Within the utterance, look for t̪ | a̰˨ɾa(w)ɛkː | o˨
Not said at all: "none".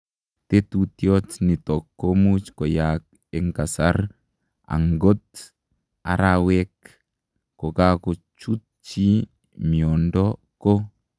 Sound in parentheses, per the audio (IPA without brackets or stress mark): w